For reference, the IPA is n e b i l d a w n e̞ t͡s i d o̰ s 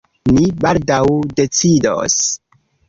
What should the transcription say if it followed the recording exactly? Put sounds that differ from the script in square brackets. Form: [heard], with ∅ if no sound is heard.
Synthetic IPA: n [i] b [a] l d a w [d] e̞ t͡s i d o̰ s